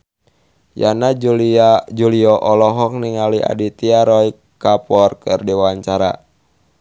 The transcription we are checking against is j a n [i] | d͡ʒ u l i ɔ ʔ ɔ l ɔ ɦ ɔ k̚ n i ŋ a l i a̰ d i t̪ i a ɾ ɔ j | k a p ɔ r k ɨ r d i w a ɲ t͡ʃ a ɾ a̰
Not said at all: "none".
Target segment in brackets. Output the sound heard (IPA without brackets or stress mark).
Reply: a